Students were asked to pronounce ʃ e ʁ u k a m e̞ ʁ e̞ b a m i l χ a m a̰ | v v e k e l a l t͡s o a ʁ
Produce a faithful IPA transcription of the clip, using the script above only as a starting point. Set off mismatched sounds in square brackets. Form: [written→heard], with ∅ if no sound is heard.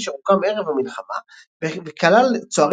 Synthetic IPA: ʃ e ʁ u k a m e̞ ʁ e̞ [b→v] a m i l χ a m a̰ | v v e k [e→a] l a l t͡s o a ʁ